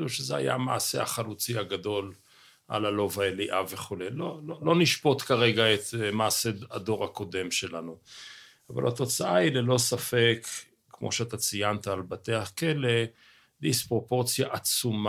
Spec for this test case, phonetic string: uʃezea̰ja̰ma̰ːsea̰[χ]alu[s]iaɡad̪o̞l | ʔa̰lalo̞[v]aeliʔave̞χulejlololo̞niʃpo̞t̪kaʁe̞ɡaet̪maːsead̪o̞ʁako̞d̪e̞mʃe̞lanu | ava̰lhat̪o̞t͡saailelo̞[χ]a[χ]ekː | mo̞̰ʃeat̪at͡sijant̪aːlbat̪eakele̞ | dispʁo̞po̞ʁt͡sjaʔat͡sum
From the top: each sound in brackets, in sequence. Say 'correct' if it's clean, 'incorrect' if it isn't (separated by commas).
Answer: correct, incorrect, correct, incorrect, incorrect